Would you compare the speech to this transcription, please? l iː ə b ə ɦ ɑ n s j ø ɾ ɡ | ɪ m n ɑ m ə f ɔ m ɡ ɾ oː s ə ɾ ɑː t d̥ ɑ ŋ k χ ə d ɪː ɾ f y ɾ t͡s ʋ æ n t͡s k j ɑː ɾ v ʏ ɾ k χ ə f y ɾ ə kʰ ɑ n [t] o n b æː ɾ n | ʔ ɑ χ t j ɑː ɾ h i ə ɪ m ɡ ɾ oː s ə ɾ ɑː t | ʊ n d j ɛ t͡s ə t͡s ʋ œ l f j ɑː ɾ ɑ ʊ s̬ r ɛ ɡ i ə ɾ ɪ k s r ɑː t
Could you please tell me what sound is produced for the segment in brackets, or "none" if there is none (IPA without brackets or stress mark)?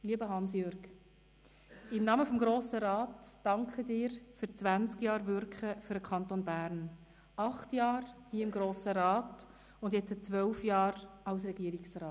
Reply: t